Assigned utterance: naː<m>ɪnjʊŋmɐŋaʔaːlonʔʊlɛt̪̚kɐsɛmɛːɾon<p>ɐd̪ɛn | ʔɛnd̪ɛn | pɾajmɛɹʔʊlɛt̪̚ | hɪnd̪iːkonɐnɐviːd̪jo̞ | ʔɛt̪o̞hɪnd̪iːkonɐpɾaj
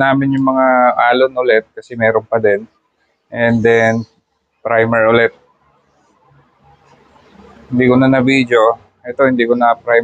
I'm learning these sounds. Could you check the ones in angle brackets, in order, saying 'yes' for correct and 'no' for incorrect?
yes, yes

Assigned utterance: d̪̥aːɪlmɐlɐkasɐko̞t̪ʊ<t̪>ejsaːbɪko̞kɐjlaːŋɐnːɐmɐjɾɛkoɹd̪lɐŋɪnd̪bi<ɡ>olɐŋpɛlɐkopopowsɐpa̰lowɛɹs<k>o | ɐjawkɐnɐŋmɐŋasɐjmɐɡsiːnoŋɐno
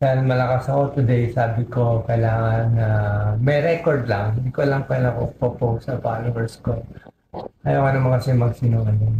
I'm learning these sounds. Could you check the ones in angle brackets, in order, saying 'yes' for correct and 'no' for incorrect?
no, no, yes

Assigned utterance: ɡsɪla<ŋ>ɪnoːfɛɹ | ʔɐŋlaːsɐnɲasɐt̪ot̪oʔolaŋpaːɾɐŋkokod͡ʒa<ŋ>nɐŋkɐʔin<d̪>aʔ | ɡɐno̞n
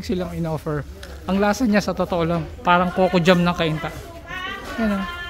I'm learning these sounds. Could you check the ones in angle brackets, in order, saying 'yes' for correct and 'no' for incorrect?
yes, no, no

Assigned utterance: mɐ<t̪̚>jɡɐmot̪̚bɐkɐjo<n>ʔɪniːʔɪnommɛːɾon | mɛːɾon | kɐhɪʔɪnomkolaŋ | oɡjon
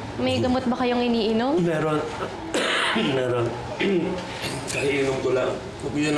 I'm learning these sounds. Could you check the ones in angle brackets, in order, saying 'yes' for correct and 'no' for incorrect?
no, no

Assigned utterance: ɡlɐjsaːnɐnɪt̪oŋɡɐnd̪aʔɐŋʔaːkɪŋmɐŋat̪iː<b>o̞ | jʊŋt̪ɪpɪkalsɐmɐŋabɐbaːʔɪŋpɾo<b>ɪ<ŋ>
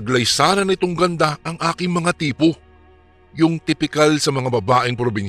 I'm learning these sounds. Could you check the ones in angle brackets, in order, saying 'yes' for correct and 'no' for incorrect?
no, yes, no

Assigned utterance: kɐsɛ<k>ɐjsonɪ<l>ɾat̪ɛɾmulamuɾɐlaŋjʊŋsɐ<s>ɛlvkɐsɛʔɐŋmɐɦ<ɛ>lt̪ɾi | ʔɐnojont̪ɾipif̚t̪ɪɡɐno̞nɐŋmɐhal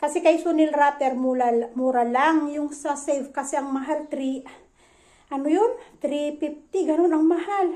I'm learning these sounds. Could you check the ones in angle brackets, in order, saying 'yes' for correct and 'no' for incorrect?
yes, yes, yes, no

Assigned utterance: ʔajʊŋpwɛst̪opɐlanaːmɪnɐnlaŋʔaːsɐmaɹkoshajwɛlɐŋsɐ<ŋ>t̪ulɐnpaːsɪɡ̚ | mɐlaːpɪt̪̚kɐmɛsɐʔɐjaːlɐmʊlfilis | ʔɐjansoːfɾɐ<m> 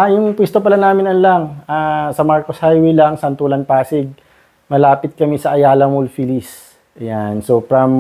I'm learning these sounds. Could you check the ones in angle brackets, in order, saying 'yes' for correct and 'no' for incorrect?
no, yes

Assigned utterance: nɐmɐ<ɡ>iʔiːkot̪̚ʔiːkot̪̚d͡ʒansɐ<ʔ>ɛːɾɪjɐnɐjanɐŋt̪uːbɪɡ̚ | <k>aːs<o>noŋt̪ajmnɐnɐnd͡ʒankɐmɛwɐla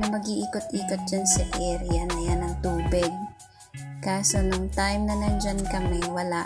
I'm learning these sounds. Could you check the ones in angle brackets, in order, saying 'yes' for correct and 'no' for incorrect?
yes, yes, yes, yes

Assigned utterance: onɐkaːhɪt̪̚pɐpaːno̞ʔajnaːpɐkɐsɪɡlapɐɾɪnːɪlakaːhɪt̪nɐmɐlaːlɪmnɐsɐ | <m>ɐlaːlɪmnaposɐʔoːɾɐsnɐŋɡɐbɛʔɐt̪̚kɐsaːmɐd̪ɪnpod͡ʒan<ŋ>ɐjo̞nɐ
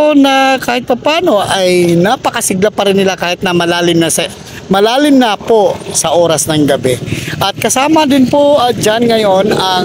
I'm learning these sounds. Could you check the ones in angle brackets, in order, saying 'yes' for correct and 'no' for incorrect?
yes, yes

